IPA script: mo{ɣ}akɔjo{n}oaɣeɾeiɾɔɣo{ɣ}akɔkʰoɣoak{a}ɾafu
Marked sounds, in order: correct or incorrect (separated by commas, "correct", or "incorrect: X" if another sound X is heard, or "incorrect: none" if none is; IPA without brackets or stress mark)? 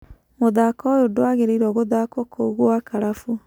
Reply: incorrect: ð, incorrect: d, incorrect: ð, correct